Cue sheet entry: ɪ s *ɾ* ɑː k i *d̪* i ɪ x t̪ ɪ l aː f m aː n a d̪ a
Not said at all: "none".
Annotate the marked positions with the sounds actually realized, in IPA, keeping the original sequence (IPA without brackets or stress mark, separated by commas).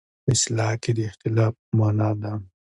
l, d̪